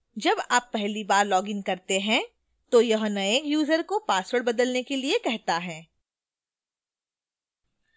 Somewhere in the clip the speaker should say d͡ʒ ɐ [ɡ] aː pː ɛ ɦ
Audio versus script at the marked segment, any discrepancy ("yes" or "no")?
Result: yes